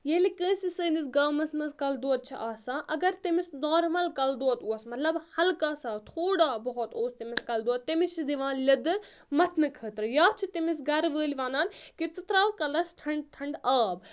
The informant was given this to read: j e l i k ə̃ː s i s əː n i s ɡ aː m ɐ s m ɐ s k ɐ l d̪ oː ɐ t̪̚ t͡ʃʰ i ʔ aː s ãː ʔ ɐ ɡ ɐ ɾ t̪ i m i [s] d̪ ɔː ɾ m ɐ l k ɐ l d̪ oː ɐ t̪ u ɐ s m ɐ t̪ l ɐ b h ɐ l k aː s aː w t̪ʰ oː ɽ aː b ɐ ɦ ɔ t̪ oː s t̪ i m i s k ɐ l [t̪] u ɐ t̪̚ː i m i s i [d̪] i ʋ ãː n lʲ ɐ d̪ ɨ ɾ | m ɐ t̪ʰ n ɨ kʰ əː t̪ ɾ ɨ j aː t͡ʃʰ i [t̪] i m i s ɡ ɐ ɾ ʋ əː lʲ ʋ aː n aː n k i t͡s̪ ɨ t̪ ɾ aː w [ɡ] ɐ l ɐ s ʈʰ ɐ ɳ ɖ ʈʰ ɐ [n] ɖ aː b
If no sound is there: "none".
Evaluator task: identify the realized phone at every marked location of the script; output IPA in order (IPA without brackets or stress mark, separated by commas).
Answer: s, d̪, d̪, t̪, k, ɳ